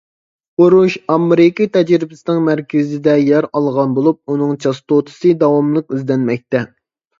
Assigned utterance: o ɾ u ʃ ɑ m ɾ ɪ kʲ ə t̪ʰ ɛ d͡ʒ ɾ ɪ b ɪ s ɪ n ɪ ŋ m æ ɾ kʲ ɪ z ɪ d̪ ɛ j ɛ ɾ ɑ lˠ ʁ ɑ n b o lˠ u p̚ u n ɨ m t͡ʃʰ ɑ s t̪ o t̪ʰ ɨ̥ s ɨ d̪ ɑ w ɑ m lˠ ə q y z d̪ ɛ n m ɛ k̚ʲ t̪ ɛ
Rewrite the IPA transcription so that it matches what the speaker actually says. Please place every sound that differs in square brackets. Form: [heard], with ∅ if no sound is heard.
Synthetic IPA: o ɾ u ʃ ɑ m ɾ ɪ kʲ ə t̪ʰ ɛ d͡ʒ ɾ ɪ b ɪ s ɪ n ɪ ŋ m æ ɾ kʲ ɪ z ɪ d̪ ɛ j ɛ ɾ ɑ lˠ ʁ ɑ n b o lˠ u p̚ u n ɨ [ŋ] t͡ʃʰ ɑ s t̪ o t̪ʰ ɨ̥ s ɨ d̪ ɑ w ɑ m lˠ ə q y z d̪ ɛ n m ɛ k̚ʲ t̪ ɛ